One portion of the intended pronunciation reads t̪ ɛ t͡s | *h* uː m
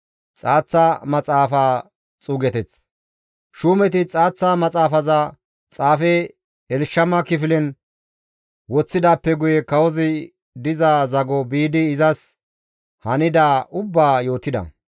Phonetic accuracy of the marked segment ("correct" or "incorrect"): incorrect